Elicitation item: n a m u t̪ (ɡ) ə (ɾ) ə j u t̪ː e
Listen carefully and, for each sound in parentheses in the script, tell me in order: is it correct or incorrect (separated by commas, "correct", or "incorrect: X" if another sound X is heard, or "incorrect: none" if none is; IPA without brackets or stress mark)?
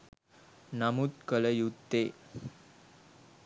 incorrect: k, incorrect: l